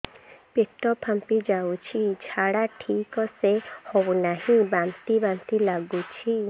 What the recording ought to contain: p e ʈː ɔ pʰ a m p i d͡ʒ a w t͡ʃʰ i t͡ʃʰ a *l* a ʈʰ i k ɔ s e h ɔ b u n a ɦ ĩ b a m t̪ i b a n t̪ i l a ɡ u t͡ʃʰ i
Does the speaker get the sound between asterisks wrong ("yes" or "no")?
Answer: yes